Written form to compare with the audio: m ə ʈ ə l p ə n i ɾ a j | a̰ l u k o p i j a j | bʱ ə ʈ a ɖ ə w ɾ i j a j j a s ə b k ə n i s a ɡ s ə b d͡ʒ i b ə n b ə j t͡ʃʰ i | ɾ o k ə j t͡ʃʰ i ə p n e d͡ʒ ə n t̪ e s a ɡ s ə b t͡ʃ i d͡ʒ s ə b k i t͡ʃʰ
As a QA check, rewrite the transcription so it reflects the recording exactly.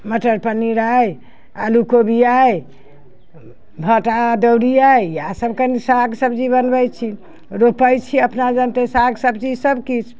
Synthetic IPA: m ə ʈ ə ɾ p ə n i ɾ a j | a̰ l u k o b i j a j | bʱ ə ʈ a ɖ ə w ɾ i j a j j a s ə b k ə n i s a ɡ s ə b d͡ʒ i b ə n b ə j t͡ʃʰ i | ɾ o p ə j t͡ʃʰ i ə p n a d͡ʒ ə n t̪ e s a ɡ s ə b t͡ʃ i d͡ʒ s ə b k i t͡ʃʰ